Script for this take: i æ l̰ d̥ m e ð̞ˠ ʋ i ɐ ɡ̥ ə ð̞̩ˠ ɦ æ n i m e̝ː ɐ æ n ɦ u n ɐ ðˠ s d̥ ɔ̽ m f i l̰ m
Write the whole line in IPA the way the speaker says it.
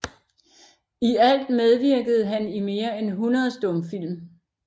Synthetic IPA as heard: i æ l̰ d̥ m e ð̞ˠ ʋ i ɐ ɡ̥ ə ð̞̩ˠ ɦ æ n i m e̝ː ɐ e n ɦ u n ɐ ðˠ s d̥ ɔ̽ m f i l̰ m

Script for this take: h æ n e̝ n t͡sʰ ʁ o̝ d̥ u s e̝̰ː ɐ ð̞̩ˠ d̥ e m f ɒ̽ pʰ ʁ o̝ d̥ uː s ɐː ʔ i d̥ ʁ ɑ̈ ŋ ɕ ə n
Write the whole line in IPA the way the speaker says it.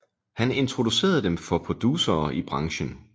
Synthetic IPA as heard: h æ n e̝ n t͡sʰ ʁ o̝ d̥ u s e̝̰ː ɐ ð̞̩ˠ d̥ e m f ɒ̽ pʰ ʁ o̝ d̥ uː s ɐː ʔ i b̥ ʁ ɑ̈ ŋ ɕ ə n

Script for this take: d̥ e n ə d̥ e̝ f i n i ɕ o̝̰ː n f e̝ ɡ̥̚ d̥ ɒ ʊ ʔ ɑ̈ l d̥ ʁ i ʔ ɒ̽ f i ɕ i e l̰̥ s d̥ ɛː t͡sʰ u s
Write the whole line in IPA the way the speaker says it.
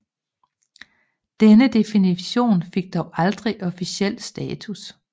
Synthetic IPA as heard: d̥ e n ə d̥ e̝ f i n i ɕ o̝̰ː n f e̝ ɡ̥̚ d̥ ɒ ʊ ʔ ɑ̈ l d̥ ʁ i ʔ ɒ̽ f i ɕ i e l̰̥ s d̥ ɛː t͡sʰ u s

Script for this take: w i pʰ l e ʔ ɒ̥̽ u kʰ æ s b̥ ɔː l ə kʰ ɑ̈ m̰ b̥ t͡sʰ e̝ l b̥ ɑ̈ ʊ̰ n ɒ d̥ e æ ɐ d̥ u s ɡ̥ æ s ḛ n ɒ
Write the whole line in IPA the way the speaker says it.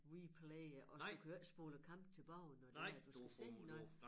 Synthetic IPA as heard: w i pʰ l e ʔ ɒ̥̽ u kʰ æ s b̥ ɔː l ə kʰ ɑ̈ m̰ b̥ t͡sʰ e̝ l b̥ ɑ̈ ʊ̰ n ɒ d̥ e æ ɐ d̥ u s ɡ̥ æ s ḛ n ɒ

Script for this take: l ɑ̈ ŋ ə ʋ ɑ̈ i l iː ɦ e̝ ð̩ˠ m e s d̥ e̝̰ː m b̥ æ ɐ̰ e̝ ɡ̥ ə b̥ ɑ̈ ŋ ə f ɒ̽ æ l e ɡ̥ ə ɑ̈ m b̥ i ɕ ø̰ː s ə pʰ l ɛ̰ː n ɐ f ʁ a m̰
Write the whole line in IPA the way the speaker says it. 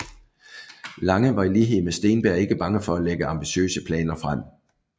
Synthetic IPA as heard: l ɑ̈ ŋ ə ʋ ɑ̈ i l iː ɦ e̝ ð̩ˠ m e s d̥ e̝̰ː n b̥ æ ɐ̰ e̝ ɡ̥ ə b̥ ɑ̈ ŋ ə f ɒ̽ æ l e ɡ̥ ə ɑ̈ m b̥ i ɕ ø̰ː s ə pʰ l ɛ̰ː n ɐ f ʁ a m̰

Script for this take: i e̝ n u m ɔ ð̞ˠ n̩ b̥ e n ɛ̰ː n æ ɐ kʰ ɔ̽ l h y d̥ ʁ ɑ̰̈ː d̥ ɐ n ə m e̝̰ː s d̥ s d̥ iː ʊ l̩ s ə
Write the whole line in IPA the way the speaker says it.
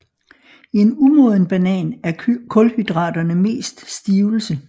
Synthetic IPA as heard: i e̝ n u m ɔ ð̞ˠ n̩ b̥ æ n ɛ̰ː n æ ɐ kʰ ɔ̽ l h y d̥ ʁ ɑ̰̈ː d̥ ɐ n ə m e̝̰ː s d̥ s d̥ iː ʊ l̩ s ə

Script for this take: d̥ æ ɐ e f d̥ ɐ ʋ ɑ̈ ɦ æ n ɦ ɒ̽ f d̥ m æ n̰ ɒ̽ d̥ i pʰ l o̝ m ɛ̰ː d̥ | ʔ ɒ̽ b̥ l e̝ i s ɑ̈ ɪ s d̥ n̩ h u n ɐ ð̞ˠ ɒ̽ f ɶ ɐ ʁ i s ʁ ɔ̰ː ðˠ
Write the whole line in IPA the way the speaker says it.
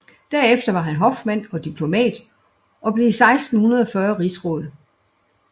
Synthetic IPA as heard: d̥ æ ɐ e f d̥ ɐ ʋ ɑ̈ ɦ æ n ɦ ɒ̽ f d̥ m æ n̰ ɒ̽ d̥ i pʰ l o̝ m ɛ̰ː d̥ | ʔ ɒ̽ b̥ l e̝ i s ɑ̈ ɪ s d̥ n̩ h u n ɐ ð̞ˠ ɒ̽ f ɶ ɐ ʁ i s ʁ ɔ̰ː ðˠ

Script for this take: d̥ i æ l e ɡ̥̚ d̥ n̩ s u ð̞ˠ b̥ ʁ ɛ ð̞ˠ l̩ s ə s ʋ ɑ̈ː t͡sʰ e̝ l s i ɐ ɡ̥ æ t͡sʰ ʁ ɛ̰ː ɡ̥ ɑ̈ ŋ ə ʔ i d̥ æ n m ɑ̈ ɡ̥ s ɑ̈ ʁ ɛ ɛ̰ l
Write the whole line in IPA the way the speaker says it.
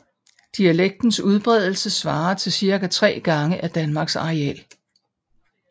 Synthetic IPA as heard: d̥ i æ l e ɡ̥̚ d̥ n̩ s u ð̞ˠ b̥ ʁ ɛ ð̞ˠ l̩ s ə s ʋ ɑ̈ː t͡sʰ e̝ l s i ɐ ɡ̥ æ t͡sʰ ʁ ɛ̰ː ɡ̥ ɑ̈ ŋ ə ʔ æ d̥ æ n m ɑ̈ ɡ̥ s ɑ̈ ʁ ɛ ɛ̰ l

